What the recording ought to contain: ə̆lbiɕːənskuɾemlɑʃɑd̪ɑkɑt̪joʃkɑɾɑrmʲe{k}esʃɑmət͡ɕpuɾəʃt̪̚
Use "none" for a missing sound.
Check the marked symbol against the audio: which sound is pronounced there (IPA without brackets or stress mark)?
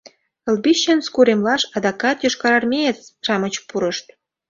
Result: none